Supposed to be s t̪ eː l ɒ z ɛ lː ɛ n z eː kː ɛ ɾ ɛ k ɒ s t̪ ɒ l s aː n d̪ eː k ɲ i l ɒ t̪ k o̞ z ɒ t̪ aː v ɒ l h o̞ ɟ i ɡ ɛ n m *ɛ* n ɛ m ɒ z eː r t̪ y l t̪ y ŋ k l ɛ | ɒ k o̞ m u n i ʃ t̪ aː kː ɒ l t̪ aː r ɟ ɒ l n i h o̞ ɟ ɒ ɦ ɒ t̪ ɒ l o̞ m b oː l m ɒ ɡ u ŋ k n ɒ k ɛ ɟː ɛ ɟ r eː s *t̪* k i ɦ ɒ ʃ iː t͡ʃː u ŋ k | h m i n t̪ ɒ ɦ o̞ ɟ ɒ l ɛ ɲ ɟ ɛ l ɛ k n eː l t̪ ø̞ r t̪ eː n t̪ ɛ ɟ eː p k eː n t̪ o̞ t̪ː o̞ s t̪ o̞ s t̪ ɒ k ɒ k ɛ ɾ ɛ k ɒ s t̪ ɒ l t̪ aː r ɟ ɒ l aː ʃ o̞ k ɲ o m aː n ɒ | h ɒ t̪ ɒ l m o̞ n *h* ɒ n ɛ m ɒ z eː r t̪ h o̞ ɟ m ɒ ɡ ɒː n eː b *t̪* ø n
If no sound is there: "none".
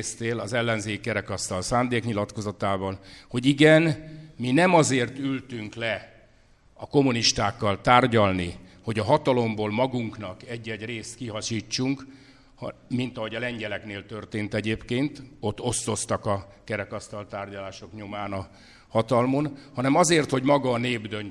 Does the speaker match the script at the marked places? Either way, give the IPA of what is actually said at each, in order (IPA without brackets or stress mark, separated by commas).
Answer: i, t̪, h, d̪